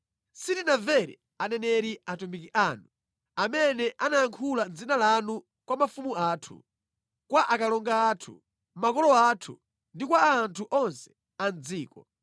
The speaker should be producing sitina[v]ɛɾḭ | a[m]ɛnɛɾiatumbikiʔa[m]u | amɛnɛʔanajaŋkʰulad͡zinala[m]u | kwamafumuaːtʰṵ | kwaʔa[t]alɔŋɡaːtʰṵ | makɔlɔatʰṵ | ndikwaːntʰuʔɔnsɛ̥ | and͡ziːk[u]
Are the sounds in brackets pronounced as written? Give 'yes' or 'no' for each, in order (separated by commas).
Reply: yes, no, no, no, no, no